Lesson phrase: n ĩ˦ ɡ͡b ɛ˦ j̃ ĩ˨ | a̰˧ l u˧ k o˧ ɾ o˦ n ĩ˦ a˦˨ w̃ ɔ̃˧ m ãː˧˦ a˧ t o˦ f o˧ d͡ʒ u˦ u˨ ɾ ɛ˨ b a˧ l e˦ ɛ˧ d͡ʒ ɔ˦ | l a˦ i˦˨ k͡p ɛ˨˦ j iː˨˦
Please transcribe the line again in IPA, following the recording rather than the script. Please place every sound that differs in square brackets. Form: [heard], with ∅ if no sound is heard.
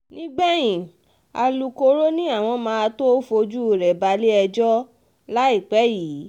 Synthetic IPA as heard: n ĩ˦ ɡ͡b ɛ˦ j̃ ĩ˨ | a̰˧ l u˧ k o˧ ɾ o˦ n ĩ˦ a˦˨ w̃ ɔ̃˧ m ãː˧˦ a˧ t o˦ f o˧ d͡ʒ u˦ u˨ ɾ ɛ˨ b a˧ l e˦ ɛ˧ d͡ʒ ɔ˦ | l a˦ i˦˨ k͡p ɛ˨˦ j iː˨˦